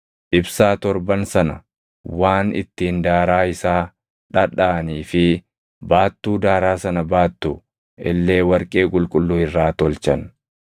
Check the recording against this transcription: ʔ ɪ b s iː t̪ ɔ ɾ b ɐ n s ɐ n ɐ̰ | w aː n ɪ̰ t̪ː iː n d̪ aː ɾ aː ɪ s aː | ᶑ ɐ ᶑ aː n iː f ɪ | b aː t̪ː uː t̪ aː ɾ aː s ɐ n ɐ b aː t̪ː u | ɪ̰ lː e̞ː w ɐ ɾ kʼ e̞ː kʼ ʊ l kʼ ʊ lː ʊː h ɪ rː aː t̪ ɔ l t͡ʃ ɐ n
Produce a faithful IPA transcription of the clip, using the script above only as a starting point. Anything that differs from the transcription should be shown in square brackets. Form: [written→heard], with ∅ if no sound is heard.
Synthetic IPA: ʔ ɪ b s [iː→aː] t̪ ɔ ɾ b ɐ n s ɐ n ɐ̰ | w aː n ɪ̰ t̪ː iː n d̪ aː ɾ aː ɪ s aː | ᶑ ɐ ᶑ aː n iː f ɪ | b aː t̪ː uː [t̪→d̪] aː ɾ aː s ɐ n ɐ b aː t̪ː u | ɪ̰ lː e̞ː w ɐ ɾ kʼ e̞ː kʼ ʊ l kʼ ʊ lː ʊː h ɪ rː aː t̪ ɔ l t͡ʃ ɐ n